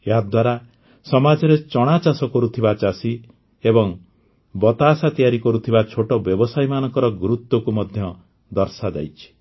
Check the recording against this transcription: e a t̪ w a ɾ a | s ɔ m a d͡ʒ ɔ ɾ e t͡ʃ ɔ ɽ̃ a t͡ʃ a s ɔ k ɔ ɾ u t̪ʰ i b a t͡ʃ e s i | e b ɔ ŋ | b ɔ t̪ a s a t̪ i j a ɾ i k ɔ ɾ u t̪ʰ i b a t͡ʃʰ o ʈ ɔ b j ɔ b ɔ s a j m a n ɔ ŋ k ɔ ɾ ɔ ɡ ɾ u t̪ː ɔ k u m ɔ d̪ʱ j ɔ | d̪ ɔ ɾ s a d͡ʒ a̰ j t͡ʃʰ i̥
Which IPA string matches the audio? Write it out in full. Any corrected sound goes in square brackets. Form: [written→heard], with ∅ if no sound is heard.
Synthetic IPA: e a [t̪→d̪] w a ɾ a | s ɔ m a d͡ʒ ɔ ɾ e t͡ʃ ɔ ɽ̃ a t͡ʃ a s ɔ k ɔ ɾ u t̪ʰ i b a t͡ʃ [e→a] s i | e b ɔ ŋ | b ɔ t̪ a s a t̪ i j a ɾ i k ɔ ɾ u t̪ʰ i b a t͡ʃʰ o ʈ ɔ b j ɔ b ɔ s a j m a n ɔ ŋ k ɔ ɾ ɔ ɡ ɾ u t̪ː ɔ k u m ɔ d̪ʱ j ɔ | d̪ ɔ ɾ s a d͡ʒ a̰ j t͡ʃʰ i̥